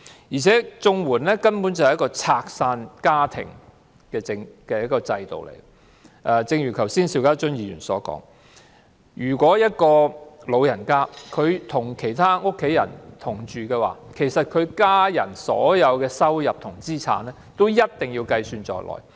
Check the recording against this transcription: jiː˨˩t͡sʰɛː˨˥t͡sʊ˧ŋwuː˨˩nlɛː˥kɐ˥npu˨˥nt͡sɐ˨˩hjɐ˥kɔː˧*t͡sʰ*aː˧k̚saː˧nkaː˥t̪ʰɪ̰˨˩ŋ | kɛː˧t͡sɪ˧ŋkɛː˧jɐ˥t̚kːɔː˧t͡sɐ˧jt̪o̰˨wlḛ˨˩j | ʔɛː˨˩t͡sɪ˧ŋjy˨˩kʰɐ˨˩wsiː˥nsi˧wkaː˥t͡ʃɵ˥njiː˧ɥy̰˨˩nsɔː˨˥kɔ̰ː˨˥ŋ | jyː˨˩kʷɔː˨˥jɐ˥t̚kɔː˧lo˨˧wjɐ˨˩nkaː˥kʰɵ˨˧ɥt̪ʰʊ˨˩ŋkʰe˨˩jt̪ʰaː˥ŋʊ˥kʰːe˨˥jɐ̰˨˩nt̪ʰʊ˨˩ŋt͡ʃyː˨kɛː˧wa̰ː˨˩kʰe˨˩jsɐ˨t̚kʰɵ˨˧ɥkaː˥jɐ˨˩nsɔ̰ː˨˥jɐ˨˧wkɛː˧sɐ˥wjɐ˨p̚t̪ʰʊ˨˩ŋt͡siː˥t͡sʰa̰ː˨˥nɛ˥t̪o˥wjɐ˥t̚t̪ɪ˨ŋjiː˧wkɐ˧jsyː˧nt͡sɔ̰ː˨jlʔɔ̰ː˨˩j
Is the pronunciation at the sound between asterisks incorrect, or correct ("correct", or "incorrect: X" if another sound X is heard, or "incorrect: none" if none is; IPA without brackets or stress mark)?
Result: correct